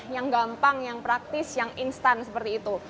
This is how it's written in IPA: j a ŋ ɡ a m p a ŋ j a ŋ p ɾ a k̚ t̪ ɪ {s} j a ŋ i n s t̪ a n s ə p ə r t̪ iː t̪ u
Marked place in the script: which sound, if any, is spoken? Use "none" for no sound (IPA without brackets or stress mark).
s